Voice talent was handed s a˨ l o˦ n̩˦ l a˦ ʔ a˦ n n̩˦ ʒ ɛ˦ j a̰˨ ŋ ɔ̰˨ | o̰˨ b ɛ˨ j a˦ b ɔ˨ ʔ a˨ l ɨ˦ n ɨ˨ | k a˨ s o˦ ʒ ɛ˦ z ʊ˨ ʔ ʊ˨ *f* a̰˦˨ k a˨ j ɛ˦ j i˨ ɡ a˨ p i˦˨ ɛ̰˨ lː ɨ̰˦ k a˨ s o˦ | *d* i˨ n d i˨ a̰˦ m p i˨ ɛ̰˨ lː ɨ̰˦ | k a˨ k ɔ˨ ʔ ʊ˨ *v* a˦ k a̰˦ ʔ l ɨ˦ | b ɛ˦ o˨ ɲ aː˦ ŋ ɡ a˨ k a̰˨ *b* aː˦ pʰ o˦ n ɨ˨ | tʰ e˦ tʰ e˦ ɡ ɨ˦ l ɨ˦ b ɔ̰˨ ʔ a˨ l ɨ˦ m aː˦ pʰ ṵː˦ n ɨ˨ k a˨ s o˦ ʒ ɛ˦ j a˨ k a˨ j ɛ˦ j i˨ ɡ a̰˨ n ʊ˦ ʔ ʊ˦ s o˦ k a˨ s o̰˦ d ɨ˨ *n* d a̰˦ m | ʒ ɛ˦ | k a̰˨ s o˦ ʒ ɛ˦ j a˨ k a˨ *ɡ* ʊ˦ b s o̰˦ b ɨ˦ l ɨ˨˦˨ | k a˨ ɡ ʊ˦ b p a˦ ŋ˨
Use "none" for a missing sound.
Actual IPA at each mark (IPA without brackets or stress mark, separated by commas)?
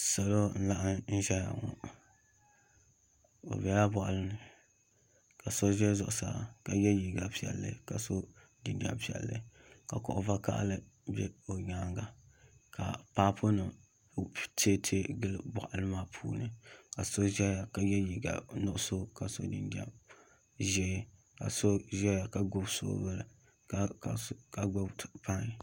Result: s, d, v, p, n, ɡ